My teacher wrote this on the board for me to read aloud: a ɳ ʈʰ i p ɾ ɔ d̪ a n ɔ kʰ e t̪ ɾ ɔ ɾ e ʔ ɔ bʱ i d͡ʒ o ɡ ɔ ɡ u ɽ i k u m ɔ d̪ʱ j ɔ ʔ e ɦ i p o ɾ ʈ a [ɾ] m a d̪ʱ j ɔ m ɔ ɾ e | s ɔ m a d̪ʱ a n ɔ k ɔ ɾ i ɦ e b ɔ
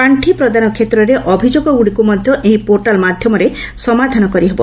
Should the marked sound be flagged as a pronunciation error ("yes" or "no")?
yes